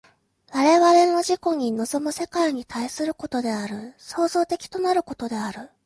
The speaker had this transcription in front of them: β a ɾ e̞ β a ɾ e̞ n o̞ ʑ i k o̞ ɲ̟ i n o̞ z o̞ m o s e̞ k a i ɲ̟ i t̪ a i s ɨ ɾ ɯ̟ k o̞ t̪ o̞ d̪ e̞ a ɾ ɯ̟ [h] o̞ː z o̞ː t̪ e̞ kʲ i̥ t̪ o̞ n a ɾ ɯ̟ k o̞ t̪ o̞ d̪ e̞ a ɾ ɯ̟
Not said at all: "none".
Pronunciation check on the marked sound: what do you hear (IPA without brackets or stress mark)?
s